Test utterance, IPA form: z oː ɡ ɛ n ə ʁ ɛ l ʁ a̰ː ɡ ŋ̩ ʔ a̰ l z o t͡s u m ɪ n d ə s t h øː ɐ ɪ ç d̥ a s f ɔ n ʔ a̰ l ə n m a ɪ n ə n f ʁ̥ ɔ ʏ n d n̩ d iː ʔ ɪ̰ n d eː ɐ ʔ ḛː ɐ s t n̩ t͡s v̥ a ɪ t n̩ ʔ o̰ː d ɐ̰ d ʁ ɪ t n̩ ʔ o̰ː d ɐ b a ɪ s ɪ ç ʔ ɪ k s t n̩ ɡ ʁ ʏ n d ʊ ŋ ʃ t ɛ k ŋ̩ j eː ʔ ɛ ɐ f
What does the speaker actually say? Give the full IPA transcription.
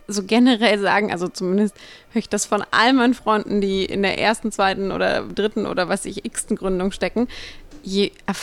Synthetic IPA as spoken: z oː ɡ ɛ n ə ʁ ɛ l z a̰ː ɡ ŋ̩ ʔ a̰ l z o t͡s u m ɪ n d ə s t h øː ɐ ɪ ç d̥ a s f ɔ n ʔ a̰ l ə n m a ɪ n ə n f ʁ̥ ɔ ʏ n d n̩ d iː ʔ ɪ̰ n d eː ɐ ʔ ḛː ɐ s t n̩ t͡s v̥ a ɪ t n̩ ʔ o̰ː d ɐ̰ d ʁ ɪ t n̩ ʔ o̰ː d ɐ v a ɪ s ɪ ç ʔ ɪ k s t n̩ ɡ ʁ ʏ n d ʊ ŋ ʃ t ɛ k ŋ̩ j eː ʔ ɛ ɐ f